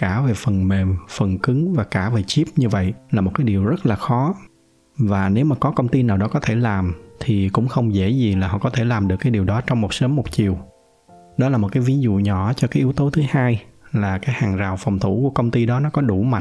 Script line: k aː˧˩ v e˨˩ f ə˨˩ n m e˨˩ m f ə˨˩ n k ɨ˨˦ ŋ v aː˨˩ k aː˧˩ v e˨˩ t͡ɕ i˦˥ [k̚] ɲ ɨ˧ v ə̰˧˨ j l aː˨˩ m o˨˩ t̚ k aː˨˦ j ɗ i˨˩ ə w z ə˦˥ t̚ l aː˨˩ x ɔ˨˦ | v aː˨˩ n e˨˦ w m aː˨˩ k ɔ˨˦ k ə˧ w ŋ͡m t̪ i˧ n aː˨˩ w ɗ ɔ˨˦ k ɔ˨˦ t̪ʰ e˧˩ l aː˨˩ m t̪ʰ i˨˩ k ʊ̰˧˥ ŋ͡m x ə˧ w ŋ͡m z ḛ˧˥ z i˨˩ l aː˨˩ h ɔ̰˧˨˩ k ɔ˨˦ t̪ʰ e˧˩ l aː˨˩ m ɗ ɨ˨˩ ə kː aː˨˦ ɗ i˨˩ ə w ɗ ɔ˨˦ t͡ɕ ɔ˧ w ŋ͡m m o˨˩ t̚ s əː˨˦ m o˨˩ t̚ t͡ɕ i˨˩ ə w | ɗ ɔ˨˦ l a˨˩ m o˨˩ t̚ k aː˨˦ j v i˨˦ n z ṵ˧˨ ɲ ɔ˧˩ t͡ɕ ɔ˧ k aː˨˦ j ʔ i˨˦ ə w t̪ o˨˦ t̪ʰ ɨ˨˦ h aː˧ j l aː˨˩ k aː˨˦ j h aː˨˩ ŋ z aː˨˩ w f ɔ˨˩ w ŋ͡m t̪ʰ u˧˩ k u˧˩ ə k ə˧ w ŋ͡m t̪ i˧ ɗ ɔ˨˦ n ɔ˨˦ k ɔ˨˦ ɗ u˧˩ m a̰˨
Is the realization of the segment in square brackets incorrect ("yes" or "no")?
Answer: yes